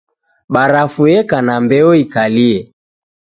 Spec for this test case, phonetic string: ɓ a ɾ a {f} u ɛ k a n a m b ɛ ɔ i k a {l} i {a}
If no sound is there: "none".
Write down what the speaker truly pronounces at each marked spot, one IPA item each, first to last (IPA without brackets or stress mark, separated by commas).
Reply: f, l, ɛ